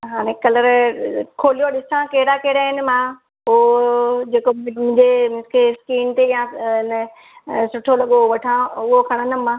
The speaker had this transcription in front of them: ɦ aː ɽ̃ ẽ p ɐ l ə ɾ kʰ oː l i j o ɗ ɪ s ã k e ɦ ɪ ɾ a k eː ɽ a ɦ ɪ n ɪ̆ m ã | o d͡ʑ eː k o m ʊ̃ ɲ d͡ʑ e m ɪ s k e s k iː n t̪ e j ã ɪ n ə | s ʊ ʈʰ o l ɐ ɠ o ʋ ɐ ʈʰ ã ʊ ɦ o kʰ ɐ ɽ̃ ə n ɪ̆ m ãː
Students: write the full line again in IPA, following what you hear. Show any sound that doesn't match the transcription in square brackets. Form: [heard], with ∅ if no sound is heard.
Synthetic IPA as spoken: ɦ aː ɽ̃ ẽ [k] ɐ l ə ɾ kʰ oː l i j o ɗ ɪ s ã k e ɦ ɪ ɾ a k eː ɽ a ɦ ɪ n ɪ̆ m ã | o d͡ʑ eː k o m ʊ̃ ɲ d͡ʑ e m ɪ s k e s k iː n t̪ e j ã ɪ n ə | s ʊ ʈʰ o l ɐ ɠ o ʋ ɐ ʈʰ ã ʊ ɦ o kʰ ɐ ɽ̃ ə n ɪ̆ m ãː